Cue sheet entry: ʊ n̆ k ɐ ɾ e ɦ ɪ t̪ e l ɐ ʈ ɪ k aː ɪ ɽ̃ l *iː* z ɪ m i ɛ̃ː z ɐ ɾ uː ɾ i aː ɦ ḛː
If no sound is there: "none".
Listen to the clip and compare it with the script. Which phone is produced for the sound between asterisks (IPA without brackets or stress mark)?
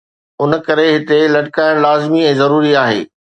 aː